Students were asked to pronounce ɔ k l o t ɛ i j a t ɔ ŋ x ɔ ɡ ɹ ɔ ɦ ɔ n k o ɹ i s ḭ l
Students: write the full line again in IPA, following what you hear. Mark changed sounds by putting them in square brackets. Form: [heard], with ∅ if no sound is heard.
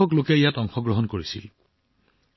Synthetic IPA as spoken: ɔ k l o [k] ɛ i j a t ɔ ŋ x ɔ ɡ ɹ ɔ ɦ ɔ n k o ɹ i s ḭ l